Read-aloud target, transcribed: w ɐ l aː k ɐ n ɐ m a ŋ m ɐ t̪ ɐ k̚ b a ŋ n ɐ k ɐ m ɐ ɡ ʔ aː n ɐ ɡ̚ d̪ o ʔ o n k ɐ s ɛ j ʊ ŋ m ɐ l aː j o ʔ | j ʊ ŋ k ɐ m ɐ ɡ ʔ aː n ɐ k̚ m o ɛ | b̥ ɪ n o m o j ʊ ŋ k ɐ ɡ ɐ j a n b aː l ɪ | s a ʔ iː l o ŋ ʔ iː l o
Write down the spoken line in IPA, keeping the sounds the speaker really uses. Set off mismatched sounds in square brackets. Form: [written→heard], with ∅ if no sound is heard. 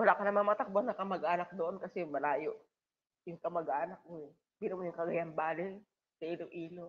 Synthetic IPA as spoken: w ɐ l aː k ɐ n ɐ m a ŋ m ɐ t̪ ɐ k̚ b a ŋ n ɐ k ɐ m ɐ ɡ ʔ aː n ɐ [ɡ̚→k̚] d̪ o ʔ o n k ɐ s ɛ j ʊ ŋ m ɐ l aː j o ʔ | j ʊ ŋ k ɐ m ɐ ɡ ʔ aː n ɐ k̚ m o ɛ | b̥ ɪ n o m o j ʊ ŋ k ɐ ɡ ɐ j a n b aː l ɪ | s [a→ɐ] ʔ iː l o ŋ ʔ iː l o

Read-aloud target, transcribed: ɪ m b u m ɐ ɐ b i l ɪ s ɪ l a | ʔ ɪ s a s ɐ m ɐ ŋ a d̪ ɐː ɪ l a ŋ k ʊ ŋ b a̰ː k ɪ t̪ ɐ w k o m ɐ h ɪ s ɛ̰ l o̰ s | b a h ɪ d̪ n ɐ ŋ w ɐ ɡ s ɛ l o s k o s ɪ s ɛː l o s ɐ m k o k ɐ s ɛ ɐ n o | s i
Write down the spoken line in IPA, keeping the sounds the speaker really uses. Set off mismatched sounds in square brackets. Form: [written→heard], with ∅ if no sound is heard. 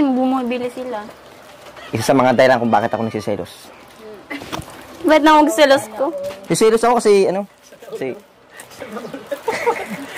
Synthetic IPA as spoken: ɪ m b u m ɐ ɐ b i l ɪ s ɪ l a | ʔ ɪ s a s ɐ m ɐ ŋ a d̪ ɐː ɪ l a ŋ k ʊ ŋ b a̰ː k ɪ t̪ ɐ [w→∅] k o [m→n] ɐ [h→s] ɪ s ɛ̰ l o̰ s | b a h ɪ [d̪→t̪] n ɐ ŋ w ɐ ɡ s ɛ l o s k o s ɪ s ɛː l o s ɐ [m→∅] k o k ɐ s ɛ ɐ n o | s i

